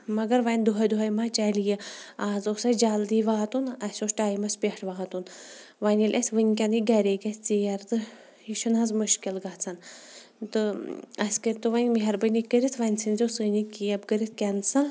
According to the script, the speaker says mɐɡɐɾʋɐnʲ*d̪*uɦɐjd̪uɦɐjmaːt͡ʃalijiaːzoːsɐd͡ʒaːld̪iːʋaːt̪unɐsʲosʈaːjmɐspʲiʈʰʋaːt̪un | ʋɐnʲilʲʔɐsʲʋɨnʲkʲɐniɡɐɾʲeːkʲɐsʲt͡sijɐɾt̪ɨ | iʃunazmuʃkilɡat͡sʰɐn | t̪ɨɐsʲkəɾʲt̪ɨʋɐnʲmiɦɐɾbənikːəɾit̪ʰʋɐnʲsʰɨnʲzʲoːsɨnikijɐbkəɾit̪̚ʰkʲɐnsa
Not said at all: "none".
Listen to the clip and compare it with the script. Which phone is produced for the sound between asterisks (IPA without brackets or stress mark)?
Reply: d̪